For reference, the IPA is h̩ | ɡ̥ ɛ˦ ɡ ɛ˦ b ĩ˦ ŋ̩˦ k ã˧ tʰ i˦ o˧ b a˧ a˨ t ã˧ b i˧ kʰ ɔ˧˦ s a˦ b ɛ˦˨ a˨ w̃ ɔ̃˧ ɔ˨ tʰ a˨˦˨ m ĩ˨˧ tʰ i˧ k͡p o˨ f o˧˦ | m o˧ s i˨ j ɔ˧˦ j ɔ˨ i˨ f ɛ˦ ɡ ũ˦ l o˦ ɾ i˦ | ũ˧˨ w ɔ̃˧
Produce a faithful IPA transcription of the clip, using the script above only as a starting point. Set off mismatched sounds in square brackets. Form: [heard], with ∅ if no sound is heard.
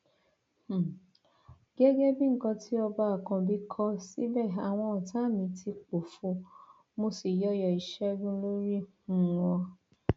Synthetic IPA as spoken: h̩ | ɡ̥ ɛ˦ ɡ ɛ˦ b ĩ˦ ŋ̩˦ k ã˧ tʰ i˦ [ɔ˧] b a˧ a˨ [k] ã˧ b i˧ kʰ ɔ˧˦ s [i˦] b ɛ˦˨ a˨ w̃ ɔ̃˧ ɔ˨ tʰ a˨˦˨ m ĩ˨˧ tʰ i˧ k͡p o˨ f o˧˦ | m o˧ s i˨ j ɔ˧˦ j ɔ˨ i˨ [ʃ] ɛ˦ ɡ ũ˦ l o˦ ɾ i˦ | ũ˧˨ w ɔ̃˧